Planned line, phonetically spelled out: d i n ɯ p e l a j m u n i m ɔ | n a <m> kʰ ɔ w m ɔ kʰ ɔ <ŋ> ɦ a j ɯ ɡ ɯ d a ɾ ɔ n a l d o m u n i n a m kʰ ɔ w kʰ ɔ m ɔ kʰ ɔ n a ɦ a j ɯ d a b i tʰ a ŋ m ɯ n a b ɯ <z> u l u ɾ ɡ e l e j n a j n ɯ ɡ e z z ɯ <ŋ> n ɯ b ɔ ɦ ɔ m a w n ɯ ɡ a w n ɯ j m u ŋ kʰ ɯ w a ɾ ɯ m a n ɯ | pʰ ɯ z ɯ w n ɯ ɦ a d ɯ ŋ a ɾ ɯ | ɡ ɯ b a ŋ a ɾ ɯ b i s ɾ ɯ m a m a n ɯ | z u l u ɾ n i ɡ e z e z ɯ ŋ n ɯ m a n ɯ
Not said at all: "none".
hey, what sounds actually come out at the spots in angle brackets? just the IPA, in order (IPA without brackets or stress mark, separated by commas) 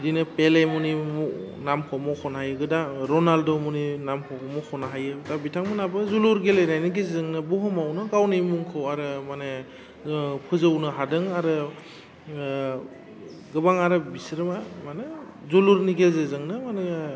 m, n, z, ŋ